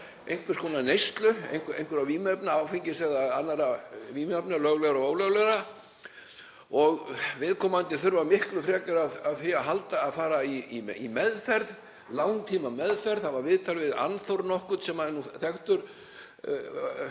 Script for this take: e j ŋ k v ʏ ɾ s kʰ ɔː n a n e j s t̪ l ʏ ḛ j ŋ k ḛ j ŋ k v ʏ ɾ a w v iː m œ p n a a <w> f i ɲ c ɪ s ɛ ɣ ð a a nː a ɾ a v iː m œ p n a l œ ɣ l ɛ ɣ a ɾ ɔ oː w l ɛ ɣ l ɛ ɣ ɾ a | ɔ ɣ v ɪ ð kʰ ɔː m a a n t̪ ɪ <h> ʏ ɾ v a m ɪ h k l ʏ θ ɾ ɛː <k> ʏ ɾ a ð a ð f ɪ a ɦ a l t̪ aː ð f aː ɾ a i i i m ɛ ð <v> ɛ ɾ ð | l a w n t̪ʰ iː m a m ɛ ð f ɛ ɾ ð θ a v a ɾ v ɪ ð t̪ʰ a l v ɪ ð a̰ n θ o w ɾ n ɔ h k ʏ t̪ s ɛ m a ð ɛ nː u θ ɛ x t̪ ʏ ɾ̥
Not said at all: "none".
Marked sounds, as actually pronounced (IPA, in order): w, θ, k, f

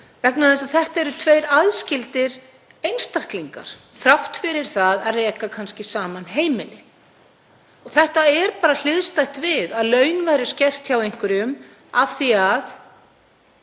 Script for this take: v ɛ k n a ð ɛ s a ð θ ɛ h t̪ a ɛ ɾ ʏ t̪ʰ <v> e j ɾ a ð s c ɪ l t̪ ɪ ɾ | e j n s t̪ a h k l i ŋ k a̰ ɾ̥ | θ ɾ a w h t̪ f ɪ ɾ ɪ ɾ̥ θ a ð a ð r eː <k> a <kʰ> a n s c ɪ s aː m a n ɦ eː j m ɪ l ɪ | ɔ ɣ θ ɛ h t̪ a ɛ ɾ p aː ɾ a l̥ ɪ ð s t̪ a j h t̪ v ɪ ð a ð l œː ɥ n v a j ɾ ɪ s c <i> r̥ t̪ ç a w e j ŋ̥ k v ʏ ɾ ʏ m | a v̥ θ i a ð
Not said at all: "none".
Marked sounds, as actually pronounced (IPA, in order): v, k, kʰ, ɛ

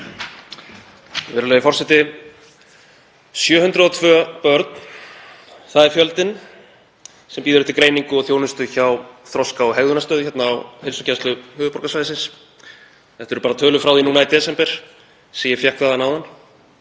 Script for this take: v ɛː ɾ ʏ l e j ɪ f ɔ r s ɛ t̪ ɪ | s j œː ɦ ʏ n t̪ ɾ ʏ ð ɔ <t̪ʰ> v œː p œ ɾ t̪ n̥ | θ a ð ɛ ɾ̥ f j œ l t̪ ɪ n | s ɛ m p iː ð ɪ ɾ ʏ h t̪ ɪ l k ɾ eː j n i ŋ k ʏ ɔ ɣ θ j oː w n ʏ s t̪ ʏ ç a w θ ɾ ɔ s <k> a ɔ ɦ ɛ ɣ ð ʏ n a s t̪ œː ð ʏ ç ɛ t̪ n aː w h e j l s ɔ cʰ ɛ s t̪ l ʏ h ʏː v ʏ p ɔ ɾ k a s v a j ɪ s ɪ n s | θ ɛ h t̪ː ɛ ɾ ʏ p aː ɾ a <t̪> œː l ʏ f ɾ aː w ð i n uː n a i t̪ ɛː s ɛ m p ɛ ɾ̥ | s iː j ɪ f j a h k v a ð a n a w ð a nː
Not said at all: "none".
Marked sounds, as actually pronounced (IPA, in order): t̪ʰ, k, t̪ʰ

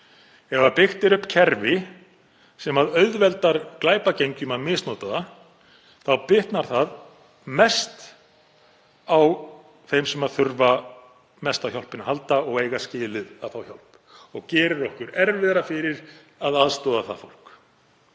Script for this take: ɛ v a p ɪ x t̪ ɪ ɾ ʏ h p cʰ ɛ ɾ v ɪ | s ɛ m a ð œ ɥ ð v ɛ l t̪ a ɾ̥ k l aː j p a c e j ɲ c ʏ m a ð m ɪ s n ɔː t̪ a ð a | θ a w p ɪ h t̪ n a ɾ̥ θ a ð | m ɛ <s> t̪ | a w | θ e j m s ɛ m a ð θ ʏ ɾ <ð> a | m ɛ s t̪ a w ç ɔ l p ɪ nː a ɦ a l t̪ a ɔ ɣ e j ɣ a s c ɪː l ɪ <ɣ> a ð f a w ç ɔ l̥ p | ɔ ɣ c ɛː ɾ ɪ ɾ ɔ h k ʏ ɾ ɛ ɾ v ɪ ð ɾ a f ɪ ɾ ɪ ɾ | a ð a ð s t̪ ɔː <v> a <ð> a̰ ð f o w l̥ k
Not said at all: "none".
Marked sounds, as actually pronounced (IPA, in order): s, v, ð, ð, θ

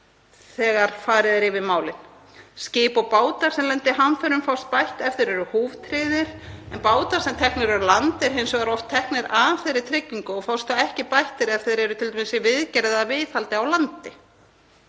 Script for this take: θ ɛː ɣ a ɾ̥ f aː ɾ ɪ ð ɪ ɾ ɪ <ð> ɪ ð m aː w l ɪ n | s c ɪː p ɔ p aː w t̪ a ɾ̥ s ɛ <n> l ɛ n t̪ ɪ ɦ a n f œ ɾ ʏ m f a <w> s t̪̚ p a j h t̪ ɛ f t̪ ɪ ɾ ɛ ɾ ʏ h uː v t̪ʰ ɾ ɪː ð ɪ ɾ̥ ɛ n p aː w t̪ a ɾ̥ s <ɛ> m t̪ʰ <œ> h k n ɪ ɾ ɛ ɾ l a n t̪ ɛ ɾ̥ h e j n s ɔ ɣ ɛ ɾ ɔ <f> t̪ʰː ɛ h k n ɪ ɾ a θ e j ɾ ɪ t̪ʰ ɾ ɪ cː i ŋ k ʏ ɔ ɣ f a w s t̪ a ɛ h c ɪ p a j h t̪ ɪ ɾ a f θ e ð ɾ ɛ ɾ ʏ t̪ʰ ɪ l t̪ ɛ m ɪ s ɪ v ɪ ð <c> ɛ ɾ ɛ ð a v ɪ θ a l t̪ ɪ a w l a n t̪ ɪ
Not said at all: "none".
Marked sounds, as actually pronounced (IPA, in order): v, m, w, ɛ, ɛ, f, c

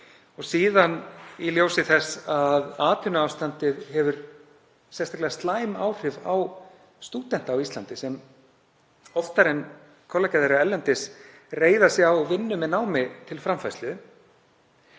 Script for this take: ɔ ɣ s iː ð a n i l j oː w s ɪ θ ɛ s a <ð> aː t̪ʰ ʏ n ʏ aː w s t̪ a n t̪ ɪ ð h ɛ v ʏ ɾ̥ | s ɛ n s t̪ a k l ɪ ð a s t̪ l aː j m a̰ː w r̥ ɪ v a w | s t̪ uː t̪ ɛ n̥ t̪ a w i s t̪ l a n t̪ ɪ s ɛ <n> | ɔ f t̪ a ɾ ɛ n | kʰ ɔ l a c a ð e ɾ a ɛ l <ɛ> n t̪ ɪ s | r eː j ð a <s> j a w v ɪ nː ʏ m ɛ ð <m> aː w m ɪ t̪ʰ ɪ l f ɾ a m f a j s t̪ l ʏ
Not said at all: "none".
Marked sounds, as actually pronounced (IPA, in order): ð, m, ɛ, s, n

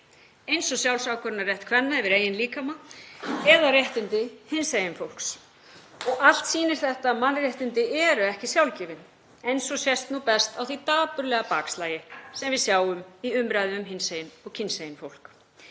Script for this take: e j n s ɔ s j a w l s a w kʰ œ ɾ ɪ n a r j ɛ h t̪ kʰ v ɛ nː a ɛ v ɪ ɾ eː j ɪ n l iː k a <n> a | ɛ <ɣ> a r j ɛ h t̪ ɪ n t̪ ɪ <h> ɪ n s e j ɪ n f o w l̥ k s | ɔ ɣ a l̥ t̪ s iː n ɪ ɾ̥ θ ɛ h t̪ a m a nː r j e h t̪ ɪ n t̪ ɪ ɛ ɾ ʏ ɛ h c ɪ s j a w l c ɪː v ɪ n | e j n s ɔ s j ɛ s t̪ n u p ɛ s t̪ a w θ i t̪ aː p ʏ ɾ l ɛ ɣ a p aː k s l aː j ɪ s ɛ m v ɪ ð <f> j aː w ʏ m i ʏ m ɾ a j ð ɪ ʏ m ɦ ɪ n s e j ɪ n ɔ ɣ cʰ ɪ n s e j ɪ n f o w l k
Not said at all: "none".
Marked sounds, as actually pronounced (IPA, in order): m, ð, h, s

